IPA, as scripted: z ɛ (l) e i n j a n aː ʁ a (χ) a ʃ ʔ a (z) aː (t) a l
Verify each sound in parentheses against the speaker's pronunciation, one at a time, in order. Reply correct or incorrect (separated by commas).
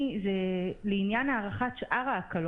correct, correct, incorrect, incorrect